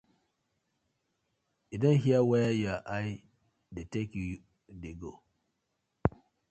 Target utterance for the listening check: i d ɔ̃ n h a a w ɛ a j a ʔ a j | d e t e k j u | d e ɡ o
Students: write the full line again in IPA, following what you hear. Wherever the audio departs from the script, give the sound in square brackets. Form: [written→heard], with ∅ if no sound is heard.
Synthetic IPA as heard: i d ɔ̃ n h [a→i] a w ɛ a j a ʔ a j | d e t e k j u | d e ɡ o